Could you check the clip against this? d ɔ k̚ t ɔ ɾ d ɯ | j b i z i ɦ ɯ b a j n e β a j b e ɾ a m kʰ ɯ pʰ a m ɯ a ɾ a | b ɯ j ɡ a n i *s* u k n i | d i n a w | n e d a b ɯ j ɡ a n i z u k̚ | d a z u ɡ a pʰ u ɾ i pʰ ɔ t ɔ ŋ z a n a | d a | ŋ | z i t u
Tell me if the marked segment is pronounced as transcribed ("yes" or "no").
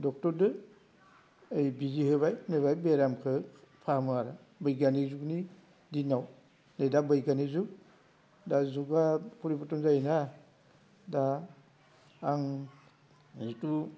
no